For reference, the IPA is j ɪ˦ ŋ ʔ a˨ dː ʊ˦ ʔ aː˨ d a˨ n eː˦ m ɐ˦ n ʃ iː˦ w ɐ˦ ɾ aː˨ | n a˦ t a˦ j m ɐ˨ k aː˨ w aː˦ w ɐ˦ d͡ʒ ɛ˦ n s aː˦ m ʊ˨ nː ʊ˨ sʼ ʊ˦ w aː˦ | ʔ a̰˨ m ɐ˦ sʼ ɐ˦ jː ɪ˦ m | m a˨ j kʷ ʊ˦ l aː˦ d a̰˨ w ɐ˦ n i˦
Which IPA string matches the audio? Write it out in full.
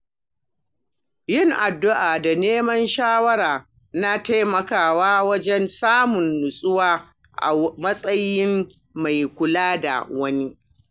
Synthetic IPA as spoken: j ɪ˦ ŋ ʔ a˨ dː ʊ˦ ʔ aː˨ d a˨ n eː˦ m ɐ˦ n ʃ aː˦ w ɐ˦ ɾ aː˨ | n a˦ t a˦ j m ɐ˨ k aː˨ w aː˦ w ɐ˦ d͡ʒ ɛ˦ n s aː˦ m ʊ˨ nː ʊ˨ sʼ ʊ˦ w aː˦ | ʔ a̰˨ m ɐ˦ sʼ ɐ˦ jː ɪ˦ m | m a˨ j kʷ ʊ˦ l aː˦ d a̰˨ w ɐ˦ n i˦

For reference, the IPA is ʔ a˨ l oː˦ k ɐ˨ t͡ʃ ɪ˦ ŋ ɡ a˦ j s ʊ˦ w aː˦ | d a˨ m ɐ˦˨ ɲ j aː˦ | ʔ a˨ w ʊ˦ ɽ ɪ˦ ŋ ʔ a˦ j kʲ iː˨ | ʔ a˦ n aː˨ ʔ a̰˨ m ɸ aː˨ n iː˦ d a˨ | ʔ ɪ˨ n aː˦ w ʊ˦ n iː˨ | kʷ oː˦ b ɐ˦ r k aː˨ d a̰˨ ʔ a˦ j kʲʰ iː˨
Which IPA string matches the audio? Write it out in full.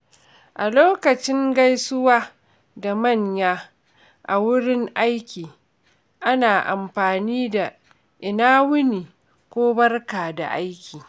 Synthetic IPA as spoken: ʔ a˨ l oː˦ k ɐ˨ t͡ʃ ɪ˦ ŋ ɡ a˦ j s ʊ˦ w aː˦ | d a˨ m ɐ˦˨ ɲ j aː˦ | ʔ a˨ w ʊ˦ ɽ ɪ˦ ŋ ʔ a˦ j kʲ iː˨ | ʔ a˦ n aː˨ ʔ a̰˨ m ɸ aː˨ n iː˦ d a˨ | ʔ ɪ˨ n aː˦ w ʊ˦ n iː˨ | kʷ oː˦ b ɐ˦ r k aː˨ d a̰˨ ʔ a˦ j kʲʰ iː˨

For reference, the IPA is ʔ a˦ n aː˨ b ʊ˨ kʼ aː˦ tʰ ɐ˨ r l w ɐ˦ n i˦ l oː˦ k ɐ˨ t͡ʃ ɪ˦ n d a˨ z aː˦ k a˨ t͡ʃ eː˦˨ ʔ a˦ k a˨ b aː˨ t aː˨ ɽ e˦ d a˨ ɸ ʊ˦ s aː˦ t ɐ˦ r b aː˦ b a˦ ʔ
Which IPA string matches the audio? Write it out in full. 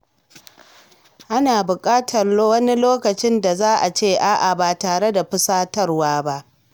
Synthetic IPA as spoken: ʔ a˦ n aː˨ b ʊ˨ kʼ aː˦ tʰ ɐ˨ r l w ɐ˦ n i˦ l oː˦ k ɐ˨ t͡ʃ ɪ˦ n d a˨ z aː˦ ʔ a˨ t͡ʃ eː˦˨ ʔ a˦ ʔ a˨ b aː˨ t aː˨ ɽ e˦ d a˨ ɸ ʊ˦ s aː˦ t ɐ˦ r w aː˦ b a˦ ʔ

